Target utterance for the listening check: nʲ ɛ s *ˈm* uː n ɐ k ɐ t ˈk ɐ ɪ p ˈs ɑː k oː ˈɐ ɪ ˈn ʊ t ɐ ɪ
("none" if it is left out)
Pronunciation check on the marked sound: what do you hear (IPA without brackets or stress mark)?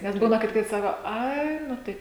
b